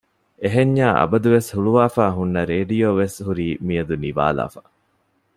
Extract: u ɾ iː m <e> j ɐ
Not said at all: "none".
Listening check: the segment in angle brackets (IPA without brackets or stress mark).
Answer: i